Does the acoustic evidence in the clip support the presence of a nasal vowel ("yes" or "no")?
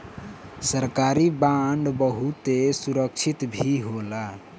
no